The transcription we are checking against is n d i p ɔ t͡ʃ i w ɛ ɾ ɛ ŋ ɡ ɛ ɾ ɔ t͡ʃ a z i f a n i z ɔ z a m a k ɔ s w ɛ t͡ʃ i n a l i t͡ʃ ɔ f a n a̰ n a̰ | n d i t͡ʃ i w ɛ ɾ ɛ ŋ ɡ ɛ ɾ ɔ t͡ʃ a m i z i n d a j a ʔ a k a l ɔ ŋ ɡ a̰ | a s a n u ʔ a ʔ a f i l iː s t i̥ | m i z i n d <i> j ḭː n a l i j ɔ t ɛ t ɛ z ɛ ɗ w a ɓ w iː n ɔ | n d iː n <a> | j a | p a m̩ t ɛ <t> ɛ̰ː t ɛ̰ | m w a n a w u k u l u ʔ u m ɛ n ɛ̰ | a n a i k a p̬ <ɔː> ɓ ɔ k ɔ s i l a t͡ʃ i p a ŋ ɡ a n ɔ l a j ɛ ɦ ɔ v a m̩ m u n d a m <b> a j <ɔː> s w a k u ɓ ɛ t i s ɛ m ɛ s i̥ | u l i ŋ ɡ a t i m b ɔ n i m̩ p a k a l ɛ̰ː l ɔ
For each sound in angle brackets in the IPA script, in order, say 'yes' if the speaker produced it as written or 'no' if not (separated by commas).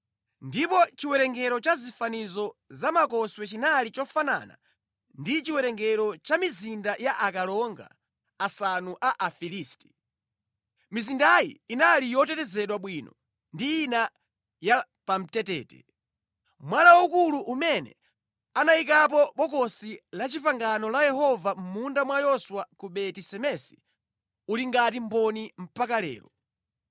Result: no, yes, yes, no, no, no